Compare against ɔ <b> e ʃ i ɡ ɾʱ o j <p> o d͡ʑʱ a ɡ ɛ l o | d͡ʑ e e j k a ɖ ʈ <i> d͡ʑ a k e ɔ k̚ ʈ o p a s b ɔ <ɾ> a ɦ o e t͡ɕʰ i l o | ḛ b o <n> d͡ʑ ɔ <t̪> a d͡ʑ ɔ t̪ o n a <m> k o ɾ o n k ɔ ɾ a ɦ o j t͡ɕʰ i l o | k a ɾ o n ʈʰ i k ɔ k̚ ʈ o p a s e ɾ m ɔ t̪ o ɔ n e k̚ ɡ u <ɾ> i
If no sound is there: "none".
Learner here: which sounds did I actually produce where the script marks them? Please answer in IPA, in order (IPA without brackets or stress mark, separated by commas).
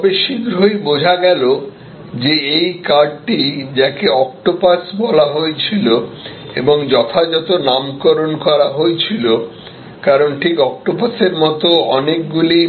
b, b, i, l, ŋ, t̪ʰ, m, l